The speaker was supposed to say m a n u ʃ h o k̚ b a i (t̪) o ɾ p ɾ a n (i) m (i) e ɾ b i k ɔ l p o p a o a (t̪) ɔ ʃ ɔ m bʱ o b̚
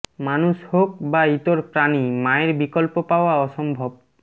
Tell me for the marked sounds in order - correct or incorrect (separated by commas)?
correct, correct, incorrect, incorrect